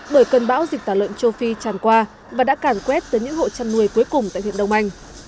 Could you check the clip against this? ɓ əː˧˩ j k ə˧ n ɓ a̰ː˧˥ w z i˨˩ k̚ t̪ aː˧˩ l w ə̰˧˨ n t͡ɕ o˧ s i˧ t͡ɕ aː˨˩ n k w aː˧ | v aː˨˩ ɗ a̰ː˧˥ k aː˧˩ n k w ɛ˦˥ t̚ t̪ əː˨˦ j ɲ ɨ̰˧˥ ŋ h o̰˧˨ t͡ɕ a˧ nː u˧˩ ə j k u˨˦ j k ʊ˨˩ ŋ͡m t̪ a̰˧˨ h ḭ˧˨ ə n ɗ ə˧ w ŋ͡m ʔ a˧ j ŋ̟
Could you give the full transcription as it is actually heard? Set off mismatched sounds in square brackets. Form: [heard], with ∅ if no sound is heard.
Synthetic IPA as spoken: ɓ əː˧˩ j k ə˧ n ɓ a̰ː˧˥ w z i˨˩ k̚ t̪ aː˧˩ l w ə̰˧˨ n t͡ɕ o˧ [f] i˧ t͡ɕ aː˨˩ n k w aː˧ | v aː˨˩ ɗ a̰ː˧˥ k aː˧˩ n k w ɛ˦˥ t̚ t̪ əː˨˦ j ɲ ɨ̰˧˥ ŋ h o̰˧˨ t͡ɕ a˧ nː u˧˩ ə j k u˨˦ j k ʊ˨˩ ŋ͡m t̪ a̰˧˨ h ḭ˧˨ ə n ɗ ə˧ w ŋ͡m ʔ a˧ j ŋ̟